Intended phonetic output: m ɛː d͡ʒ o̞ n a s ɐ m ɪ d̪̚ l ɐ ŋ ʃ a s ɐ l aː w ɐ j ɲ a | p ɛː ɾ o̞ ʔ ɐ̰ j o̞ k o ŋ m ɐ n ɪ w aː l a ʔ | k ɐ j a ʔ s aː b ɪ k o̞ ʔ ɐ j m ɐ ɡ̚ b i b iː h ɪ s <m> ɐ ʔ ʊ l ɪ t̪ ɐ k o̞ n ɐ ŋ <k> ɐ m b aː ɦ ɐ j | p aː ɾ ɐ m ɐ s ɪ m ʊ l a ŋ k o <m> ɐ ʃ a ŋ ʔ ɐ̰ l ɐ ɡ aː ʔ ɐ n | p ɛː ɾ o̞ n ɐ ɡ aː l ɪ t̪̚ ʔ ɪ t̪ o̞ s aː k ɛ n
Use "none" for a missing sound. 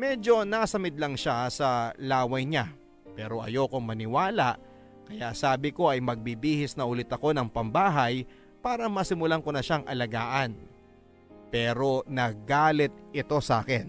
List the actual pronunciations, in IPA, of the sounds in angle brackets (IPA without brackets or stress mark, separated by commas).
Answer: n, p, n